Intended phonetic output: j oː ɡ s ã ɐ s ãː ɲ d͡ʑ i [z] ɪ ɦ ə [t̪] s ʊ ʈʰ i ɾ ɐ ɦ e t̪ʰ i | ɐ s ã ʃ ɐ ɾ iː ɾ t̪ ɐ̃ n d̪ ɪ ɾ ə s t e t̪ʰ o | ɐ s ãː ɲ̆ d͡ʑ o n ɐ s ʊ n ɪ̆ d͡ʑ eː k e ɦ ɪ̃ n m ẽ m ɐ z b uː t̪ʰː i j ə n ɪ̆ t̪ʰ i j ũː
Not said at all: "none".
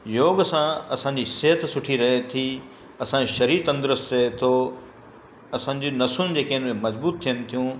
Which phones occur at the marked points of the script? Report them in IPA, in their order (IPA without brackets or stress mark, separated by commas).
s, t̪